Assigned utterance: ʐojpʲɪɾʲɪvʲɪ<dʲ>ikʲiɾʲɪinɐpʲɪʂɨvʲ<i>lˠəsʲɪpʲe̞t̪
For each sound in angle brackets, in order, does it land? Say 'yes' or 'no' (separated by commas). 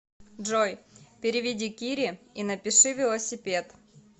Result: yes, no